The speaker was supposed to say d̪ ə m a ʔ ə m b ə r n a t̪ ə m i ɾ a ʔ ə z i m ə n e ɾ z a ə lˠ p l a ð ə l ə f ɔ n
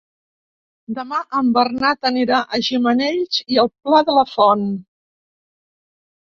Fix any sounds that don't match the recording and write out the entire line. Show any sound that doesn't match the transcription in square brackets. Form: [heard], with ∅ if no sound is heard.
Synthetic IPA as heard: d̪ ə m a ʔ ə m b ə r n a t̪ ə [n] i ɾ a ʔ ə [ʒ] i m ə n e [ʎ] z [i] ə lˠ p l a ð ə l ə f ɔ n